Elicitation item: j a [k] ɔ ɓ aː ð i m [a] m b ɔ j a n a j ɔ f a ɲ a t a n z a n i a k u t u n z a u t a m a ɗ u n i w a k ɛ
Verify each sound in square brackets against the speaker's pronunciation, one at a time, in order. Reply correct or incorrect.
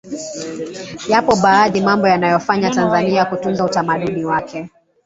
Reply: incorrect: p, correct

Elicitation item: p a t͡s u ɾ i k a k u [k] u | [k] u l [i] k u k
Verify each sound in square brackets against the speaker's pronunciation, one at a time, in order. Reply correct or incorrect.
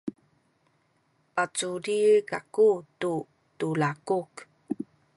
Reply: incorrect: t, incorrect: t, incorrect: a

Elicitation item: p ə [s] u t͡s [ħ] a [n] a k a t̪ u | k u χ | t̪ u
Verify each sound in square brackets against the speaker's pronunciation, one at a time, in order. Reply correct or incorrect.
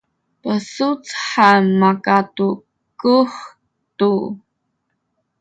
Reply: correct, correct, incorrect: m

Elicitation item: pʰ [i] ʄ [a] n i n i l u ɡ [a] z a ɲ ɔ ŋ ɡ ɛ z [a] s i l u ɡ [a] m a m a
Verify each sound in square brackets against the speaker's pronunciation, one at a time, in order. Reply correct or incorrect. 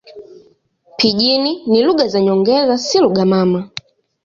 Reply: correct, incorrect: i, correct, correct, correct

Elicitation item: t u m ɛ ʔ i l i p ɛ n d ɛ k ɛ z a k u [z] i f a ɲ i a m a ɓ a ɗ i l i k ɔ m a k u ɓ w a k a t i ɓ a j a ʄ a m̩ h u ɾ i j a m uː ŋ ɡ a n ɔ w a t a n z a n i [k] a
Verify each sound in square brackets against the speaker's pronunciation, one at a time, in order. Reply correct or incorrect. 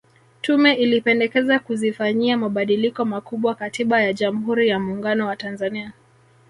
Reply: correct, incorrect: none

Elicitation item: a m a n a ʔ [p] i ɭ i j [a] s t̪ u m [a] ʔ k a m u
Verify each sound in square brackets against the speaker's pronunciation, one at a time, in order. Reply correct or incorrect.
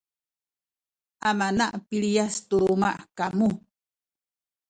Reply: correct, correct, correct

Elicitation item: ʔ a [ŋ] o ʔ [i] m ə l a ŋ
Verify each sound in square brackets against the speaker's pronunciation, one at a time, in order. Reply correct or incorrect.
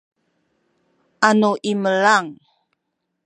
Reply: incorrect: n, correct

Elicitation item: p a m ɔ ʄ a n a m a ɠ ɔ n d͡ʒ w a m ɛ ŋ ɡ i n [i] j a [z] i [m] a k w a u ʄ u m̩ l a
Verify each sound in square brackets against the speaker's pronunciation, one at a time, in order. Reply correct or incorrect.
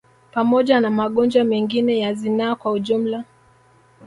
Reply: incorrect: ɛ, correct, incorrect: n

